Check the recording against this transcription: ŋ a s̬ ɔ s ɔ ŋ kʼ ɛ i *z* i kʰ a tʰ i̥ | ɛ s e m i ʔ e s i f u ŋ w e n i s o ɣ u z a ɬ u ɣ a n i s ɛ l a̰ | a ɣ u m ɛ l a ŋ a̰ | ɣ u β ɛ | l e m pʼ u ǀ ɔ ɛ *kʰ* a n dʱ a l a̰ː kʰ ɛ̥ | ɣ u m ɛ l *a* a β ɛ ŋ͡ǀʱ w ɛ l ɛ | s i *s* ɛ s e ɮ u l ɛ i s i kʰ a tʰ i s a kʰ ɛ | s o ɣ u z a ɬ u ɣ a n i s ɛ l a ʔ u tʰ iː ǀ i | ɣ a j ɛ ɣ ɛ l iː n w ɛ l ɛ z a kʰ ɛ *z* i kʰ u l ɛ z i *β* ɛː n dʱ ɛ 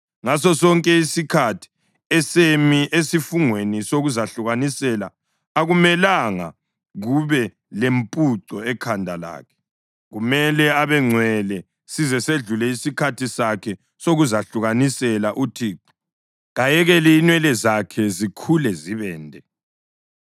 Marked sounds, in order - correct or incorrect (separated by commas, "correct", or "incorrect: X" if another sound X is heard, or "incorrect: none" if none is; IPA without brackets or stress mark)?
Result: incorrect: s, correct, incorrect: ɛ, incorrect: z, correct, correct